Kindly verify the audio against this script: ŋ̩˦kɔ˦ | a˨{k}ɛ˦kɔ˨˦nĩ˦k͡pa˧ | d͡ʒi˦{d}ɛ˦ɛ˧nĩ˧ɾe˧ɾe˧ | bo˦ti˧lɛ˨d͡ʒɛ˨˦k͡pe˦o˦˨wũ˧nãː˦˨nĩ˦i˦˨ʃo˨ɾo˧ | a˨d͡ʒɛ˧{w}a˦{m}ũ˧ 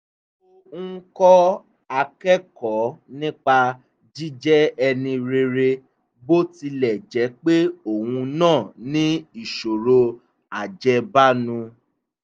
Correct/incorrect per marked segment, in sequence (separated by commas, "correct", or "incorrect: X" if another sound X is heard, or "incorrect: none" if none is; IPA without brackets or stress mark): correct, incorrect: d͡ʒ, incorrect: b, incorrect: n